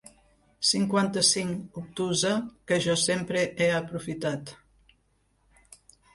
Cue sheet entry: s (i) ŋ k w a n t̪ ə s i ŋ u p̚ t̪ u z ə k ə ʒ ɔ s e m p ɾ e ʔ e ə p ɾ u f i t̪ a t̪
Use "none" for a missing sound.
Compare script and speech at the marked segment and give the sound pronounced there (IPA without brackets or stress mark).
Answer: i